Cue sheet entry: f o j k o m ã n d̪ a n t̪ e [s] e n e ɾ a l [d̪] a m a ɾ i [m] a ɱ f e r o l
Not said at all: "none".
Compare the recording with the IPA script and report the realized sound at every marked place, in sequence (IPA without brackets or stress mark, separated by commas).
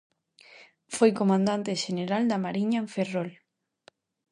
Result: ʃ, d̪, ɲ